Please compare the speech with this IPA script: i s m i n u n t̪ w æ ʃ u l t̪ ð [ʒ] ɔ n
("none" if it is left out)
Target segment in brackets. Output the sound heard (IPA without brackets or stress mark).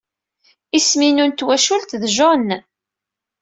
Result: ʒ